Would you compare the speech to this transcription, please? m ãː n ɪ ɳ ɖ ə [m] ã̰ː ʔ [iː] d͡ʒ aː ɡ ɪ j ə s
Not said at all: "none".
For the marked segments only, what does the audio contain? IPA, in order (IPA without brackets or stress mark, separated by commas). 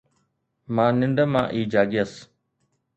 m, iː